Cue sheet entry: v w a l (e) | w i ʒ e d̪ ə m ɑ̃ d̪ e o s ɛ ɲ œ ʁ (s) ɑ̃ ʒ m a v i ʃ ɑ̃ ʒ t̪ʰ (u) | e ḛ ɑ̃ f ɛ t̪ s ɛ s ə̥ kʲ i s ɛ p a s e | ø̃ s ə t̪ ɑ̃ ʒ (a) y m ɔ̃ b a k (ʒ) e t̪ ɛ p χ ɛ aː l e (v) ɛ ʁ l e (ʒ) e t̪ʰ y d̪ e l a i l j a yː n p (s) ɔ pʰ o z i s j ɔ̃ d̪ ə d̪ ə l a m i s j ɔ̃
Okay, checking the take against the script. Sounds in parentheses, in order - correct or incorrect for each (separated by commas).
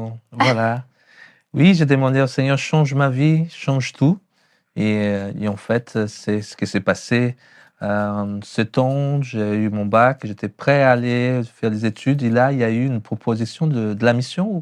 incorrect, incorrect, correct, incorrect, correct, incorrect, incorrect, incorrect